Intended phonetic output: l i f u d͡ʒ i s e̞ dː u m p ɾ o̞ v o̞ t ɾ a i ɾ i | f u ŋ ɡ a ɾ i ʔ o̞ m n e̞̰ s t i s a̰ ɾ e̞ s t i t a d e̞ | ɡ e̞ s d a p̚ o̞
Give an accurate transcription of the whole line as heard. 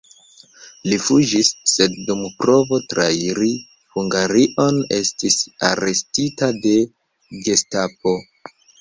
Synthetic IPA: l i f u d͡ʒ i sː e̞ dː u m p ɾ o̞ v o̞ t ɾ a i ɾ i | h u ŋ ɡ a ɾ i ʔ o̞ n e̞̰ s t i s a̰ ɾ e̞ s t i t a d e̞ | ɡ e̞ s t a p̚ o̞